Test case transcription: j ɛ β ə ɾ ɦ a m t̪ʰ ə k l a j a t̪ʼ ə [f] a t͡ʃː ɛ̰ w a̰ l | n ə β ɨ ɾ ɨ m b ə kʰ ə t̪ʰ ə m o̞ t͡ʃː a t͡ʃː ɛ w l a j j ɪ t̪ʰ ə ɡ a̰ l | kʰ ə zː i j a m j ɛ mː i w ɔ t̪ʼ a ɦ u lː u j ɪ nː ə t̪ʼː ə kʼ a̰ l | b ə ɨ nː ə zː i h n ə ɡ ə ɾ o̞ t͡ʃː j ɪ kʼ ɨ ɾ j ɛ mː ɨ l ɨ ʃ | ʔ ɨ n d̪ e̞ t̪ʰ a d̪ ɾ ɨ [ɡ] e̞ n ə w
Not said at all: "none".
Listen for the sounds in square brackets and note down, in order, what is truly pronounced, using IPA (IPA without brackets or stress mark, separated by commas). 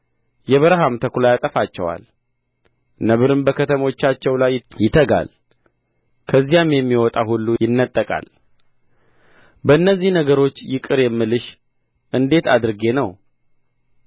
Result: f, ɡ